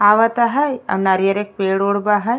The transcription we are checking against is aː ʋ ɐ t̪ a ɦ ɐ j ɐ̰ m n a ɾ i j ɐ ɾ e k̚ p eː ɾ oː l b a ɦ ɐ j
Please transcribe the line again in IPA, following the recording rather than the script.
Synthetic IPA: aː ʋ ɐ t̪ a ɦ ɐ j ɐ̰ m n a ɾ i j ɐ ɾ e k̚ p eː ɽ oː ɽ b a ɦ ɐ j